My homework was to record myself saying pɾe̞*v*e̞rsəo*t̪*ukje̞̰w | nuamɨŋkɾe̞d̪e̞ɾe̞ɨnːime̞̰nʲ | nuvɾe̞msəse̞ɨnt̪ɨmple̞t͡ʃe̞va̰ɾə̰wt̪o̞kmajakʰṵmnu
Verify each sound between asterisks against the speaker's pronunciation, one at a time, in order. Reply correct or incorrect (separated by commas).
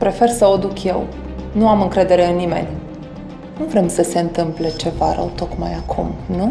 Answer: incorrect, incorrect